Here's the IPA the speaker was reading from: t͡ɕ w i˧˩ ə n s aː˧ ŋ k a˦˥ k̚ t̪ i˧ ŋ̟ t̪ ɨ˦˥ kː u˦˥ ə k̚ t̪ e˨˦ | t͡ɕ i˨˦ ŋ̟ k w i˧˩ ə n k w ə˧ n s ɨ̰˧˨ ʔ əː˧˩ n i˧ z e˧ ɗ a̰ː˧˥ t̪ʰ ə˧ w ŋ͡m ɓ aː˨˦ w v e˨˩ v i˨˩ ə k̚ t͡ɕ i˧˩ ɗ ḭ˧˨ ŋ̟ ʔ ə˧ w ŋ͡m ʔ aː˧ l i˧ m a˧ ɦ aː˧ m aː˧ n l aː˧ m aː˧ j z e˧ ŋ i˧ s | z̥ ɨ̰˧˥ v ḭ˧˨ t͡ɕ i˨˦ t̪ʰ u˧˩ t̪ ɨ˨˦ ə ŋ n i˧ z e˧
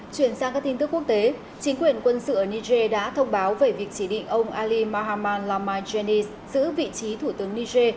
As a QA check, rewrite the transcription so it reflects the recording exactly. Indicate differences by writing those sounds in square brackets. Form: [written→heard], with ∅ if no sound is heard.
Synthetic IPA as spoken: t͡ɕ w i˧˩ ə n s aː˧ ŋ k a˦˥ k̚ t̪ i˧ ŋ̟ t̪ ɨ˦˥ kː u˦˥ ə k̚ t̪ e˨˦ | t͡ɕ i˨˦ ŋ̟ k w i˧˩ ə n k w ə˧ n s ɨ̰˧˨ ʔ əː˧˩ n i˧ z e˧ ɗ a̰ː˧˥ t̪ʰ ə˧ w ŋ͡m ɓ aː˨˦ w v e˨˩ v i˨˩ ə k̚ t͡ɕ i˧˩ ɗ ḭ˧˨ ŋ̟ ʔ ə˧ w ŋ͡m ʔ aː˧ l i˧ m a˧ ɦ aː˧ m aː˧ n l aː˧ m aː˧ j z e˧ [ŋ→n] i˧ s | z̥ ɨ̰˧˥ v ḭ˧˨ t͡ɕ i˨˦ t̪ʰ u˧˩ t̪ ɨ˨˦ ə ŋ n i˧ z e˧

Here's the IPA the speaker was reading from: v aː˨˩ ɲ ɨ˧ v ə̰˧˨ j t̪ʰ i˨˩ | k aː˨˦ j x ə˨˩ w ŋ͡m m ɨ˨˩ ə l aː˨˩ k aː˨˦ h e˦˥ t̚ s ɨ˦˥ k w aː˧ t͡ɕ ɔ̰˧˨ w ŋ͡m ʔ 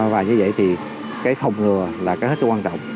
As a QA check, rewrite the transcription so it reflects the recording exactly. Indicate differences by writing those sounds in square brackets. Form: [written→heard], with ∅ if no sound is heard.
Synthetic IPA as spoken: v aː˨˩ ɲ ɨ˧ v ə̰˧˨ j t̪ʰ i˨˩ | k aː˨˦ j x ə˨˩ w ŋ͡m [m→ŋ] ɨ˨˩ ə l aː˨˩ k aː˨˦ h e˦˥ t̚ s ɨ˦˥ k w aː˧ t͡ɕ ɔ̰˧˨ w ŋ͡m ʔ

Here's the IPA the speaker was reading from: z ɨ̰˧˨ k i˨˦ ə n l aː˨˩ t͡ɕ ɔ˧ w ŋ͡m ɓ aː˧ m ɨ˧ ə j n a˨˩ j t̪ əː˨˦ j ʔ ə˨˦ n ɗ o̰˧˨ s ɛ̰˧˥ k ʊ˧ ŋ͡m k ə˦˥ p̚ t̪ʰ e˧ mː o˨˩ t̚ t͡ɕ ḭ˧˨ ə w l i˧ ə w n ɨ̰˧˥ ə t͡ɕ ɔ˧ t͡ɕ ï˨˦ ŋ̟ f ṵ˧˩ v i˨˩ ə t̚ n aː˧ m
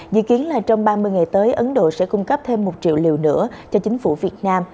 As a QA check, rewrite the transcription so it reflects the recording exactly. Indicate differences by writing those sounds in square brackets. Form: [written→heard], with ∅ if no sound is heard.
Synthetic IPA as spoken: z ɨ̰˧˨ k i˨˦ ə n l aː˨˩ t͡ɕ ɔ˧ w ŋ͡m ɓ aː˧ m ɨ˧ ə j [n→ŋ] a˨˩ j t̪ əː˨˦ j ʔ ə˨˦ n ɗ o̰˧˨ s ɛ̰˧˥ k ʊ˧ ŋ͡m k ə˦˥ p̚ t̪ʰ e˧ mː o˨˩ t̚ t͡ɕ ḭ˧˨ ə w l [i˧→i˨˩] ə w n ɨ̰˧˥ ə t͡ɕ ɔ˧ t͡ɕ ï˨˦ ŋ̟ f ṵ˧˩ v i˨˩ ə t̚ n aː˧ m

